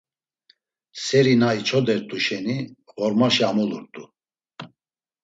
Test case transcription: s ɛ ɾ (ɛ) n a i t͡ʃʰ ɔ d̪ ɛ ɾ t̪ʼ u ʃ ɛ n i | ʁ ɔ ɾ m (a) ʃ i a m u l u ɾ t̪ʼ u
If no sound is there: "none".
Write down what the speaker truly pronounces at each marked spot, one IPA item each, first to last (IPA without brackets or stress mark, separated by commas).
i, a